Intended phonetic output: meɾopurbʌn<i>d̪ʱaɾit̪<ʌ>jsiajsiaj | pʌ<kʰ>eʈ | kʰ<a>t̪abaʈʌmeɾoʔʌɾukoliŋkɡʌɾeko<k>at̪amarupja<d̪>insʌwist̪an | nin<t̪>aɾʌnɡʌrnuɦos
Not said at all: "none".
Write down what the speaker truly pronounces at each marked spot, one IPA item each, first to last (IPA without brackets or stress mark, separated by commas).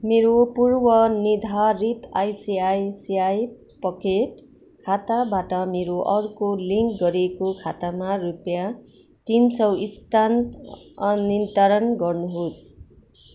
i, a, k, a, kʰ, t̪, t̪